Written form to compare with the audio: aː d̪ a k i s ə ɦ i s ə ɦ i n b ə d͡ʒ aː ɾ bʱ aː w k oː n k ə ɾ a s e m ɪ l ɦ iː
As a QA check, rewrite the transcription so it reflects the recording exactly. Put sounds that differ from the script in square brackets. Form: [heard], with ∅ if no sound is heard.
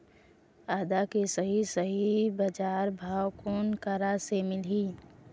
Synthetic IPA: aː d̪ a k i s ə ɦ i s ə ɦ i [∅] b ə d͡ʒ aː ɾ bʱ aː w k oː n k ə ɾ a s e m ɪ l ɦ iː